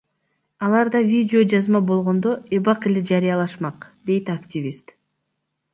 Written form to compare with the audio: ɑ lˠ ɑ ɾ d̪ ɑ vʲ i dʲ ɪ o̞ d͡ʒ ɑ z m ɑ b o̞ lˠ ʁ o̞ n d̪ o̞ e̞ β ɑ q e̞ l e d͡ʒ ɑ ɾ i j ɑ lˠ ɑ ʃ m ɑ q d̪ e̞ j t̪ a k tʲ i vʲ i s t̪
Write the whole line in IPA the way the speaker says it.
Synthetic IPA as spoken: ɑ lˠ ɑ ɾ d̪ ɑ vʲ i dʲ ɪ o̞ d͡ʒ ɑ z m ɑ b o̞ lˠ ʁ o̞ n d̪ o̞ e̞ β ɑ q e̞ l e d͡ʒ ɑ ɾ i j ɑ lˠ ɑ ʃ m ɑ q d̪ e̞ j t̪ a k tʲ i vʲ i s t̪

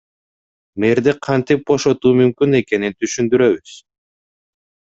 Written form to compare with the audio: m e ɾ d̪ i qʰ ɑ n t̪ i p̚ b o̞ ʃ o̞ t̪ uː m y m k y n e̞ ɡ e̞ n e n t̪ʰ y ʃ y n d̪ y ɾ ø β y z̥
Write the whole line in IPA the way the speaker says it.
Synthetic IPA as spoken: m e ɾ d̪ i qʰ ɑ n t̪ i p̚ b o̞ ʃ o̞ t̪ uː m y m k y n e̞ k e̞ n i n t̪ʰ y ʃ y n d̪ y ɾ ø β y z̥

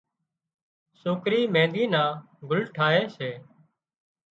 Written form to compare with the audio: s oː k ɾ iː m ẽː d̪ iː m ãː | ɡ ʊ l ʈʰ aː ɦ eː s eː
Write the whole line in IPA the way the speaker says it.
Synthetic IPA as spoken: s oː k ɾ iː m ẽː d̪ iː n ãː | ɡ ʊ l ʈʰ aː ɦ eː s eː

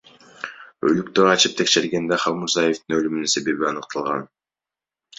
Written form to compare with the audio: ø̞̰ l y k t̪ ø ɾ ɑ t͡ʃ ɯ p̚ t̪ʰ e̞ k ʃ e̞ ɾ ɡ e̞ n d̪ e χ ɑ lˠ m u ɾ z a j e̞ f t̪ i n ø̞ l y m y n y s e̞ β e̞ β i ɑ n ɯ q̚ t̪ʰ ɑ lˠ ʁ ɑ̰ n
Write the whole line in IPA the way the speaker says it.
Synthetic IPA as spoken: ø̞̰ l y k t̪ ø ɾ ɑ t͡ʃ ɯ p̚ t̪ʰ e̞ k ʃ e̞ ɾ ɡ e̞ n d̪ e χ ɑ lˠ m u ɾ z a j e̞ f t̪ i n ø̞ l y m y n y s e̞ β e̞ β i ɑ n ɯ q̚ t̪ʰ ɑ lˠ ʁ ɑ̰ n

